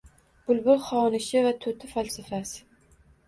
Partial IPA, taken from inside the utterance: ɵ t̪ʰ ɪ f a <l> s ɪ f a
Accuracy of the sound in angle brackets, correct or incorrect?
correct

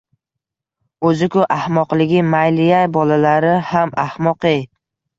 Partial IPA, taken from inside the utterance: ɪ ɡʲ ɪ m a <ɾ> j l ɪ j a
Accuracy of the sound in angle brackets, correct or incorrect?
incorrect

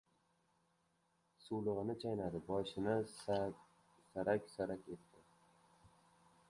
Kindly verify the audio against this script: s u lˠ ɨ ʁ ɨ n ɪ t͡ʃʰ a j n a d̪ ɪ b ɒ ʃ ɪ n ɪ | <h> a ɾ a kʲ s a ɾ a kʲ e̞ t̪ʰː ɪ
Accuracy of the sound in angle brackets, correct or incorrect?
incorrect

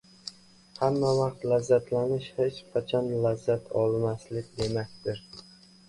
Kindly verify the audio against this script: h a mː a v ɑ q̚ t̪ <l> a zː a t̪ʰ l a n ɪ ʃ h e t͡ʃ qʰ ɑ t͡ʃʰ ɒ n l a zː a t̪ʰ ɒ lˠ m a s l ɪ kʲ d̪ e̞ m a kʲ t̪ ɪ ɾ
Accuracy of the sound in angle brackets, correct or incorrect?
correct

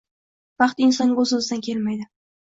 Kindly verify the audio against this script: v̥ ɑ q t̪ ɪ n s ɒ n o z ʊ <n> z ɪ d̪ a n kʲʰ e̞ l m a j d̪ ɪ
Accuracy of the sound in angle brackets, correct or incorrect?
incorrect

